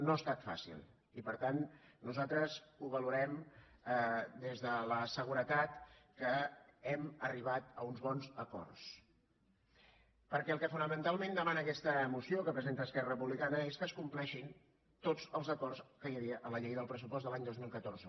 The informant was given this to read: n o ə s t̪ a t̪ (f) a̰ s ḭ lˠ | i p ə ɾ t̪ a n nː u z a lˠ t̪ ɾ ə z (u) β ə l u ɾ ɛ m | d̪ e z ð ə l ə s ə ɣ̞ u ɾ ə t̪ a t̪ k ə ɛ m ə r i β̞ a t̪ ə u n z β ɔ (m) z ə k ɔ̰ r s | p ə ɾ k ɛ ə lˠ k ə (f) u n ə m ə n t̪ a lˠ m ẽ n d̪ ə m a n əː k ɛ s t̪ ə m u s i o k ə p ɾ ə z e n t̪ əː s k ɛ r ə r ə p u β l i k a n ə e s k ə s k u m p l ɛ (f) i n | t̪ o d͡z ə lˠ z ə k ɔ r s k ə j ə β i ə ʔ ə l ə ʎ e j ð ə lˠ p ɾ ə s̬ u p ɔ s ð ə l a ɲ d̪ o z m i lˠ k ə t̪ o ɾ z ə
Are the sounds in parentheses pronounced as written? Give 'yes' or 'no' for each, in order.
yes, yes, no, yes, no

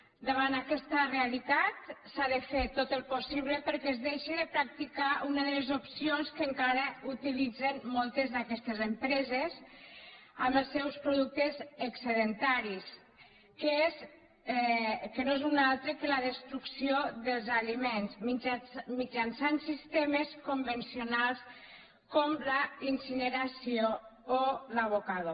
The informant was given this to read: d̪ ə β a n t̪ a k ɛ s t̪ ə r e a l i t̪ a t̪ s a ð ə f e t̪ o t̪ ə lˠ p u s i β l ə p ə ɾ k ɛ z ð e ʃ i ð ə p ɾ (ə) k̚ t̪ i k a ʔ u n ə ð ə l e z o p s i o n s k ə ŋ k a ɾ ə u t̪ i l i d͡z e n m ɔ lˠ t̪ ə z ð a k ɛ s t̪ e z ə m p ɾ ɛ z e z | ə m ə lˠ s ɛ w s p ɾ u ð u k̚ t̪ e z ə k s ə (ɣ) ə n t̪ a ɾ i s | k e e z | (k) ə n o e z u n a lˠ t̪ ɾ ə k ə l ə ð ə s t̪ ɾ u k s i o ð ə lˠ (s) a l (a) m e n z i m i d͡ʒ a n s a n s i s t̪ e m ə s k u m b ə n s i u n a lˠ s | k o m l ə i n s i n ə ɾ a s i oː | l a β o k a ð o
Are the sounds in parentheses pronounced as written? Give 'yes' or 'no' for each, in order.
no, no, yes, no, no

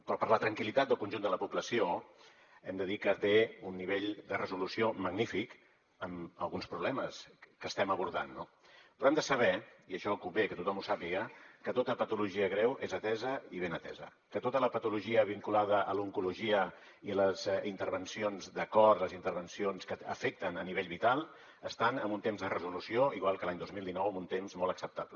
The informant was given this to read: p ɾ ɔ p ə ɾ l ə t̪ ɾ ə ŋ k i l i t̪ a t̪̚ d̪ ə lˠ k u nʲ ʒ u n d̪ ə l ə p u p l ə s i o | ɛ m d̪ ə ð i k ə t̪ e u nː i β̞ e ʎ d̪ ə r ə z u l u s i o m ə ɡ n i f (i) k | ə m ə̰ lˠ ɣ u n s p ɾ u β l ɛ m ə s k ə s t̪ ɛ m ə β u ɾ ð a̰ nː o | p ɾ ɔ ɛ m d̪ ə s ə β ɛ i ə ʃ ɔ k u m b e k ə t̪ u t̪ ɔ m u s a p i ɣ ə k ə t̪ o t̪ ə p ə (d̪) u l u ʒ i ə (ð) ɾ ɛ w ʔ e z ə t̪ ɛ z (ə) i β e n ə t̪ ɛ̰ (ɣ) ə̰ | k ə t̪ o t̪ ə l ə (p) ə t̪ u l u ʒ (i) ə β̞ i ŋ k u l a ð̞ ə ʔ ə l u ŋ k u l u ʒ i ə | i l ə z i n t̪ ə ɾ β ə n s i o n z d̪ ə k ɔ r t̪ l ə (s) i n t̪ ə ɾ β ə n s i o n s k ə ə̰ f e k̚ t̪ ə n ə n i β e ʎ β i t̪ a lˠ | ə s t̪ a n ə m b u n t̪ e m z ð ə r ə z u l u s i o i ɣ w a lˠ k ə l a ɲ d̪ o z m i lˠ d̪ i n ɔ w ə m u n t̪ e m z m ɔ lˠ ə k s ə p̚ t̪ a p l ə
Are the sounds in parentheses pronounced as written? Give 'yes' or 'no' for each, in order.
yes, no, no, yes, no, yes, yes, no

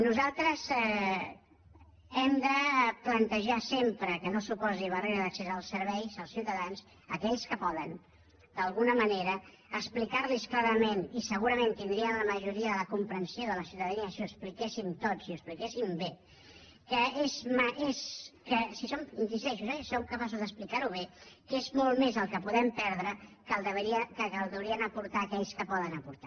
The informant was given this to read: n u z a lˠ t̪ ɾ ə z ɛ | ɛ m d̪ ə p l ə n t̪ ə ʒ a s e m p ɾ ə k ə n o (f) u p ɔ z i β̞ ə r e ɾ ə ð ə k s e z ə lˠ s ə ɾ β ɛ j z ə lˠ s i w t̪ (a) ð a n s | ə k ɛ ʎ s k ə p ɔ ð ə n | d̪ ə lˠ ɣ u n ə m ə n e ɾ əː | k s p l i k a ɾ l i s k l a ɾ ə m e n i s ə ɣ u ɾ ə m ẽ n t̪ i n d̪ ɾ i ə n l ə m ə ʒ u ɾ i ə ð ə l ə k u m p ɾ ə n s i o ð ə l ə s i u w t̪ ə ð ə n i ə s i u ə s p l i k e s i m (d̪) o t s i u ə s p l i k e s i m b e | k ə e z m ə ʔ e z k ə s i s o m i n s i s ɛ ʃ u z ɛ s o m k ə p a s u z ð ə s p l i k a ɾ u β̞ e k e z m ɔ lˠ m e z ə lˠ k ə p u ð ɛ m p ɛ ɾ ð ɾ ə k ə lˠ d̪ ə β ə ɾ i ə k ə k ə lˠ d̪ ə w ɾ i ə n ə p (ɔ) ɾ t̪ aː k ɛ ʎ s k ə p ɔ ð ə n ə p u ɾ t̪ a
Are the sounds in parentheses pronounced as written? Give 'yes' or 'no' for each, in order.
no, no, no, no

